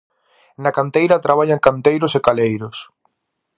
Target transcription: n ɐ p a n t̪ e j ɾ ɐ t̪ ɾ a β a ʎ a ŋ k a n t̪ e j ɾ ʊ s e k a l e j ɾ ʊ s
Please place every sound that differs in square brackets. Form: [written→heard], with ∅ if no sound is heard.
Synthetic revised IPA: n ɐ [p→k] a n t̪ e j ɾ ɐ t̪ ɾ a β a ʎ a ŋ k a n t̪ e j ɾ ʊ s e k a l e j ɾ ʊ s